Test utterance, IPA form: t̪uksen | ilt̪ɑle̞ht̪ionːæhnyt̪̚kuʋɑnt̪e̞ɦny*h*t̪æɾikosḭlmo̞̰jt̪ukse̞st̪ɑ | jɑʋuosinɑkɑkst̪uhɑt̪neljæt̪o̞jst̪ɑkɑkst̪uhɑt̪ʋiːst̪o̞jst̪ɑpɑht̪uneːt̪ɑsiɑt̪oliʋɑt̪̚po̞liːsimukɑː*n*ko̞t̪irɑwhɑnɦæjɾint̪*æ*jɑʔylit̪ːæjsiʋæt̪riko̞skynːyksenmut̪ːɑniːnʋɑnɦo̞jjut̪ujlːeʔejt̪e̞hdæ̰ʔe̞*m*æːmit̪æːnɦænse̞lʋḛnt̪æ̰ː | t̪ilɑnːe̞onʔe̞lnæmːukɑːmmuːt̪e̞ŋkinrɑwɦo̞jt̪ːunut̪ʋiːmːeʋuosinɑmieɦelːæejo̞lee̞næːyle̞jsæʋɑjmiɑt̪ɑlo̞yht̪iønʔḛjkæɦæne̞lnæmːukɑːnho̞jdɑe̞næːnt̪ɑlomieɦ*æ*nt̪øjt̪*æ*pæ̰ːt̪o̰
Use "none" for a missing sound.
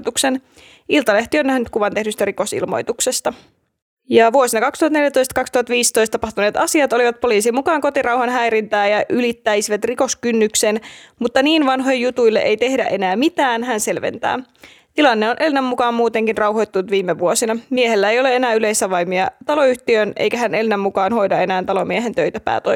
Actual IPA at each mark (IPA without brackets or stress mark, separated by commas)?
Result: s, ŋ, æː, n, e, æ